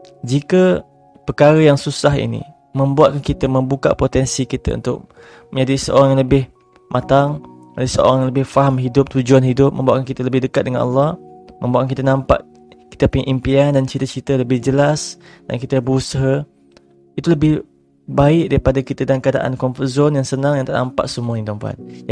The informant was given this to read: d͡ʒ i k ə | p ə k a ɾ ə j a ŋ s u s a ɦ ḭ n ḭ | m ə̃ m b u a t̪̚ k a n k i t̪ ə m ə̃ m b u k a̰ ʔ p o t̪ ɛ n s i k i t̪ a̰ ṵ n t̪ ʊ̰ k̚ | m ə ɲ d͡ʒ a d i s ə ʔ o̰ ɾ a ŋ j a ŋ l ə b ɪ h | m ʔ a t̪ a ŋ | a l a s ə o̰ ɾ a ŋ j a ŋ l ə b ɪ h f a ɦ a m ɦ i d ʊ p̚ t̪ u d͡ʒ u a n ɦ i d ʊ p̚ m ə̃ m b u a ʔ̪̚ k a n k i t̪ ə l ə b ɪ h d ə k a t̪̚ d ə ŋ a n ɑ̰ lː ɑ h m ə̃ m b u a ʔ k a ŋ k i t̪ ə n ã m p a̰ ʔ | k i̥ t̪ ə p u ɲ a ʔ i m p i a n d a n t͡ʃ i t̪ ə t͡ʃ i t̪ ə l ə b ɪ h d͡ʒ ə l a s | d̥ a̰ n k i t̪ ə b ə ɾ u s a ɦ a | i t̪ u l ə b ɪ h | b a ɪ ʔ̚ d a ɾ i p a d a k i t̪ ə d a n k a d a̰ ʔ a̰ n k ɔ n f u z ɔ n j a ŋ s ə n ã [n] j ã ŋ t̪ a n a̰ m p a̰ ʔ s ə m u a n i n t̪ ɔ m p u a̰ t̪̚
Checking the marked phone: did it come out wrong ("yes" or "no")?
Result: yes